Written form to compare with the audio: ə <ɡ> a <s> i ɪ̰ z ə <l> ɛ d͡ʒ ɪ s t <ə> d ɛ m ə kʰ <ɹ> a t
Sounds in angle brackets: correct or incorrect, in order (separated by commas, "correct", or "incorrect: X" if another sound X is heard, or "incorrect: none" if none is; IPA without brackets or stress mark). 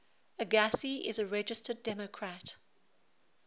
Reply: correct, correct, incorrect: ɹ, correct, correct